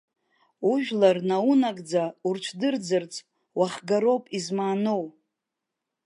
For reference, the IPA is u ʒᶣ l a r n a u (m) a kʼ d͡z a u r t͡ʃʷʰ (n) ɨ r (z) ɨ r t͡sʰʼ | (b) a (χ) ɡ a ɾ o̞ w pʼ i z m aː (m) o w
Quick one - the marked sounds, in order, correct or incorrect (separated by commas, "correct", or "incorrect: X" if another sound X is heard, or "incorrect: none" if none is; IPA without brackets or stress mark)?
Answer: incorrect: n, incorrect: d, incorrect: d͡z, incorrect: w, correct, incorrect: n